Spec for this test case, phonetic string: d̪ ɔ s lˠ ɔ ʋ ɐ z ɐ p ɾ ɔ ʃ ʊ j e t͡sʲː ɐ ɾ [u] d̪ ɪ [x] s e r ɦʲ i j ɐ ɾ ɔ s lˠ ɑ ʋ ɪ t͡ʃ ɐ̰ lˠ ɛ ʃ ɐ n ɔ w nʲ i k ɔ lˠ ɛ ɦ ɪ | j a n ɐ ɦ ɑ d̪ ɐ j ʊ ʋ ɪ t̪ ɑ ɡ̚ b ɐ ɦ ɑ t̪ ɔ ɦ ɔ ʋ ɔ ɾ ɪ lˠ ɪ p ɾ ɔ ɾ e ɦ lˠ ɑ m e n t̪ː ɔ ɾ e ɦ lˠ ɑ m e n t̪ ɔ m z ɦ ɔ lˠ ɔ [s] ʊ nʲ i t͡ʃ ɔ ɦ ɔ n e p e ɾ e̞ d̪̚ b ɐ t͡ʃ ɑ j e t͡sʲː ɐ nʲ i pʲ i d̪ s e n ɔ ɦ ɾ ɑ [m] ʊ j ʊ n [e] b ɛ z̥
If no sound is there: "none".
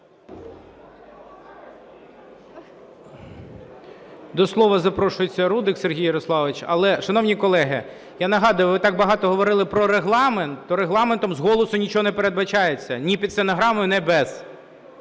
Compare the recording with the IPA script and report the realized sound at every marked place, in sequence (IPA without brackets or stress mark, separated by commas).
u, k, s, m, ɛ